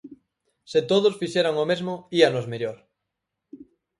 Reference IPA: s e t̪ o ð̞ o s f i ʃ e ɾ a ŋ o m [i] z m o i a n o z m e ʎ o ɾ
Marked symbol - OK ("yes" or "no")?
no